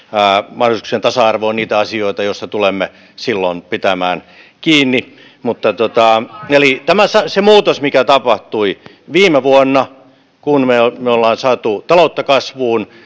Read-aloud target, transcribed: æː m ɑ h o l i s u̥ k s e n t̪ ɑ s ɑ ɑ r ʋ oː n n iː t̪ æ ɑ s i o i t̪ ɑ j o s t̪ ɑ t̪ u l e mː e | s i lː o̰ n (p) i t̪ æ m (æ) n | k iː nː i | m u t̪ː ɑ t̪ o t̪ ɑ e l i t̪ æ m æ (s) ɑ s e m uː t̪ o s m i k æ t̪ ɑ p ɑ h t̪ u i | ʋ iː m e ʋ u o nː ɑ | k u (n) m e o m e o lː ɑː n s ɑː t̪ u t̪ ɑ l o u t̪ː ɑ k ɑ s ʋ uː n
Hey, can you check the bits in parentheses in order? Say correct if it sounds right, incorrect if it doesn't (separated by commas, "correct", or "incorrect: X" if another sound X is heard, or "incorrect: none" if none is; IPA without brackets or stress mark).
correct, incorrect: æː, correct, correct